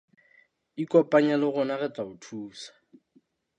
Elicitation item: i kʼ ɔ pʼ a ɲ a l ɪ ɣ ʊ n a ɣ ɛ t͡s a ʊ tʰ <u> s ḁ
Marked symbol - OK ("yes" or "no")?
no